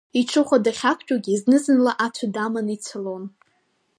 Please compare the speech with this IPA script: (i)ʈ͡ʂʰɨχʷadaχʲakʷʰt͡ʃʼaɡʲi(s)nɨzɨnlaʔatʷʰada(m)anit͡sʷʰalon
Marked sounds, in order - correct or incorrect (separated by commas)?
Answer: correct, incorrect, correct